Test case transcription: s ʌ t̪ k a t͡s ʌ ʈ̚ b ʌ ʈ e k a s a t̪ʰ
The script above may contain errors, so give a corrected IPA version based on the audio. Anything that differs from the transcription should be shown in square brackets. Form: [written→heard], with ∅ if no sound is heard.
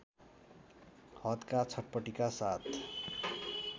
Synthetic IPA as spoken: [s→h] ʌ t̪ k a [t͡s→t͡sʰ] ʌ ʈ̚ [b→p] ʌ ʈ [e→i] k a s a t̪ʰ